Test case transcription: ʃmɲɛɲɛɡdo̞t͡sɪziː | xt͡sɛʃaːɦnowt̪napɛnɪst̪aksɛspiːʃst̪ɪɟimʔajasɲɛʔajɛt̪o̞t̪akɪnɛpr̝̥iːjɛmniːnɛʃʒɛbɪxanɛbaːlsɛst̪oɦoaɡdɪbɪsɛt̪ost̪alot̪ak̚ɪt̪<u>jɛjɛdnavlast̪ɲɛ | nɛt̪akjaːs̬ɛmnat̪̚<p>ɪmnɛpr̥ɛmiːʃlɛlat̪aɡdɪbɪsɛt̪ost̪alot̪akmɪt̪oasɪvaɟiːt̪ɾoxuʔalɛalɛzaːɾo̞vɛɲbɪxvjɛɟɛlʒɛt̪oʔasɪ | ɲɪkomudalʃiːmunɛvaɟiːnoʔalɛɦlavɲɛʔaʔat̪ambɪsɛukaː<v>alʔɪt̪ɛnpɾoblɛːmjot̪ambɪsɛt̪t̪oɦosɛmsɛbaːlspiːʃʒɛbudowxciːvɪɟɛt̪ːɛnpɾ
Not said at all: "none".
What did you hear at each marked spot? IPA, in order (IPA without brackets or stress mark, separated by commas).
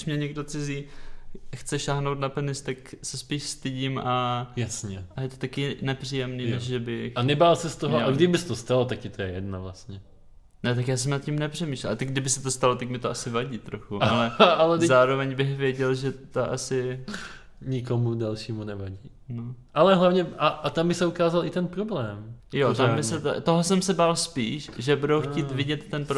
o, c, z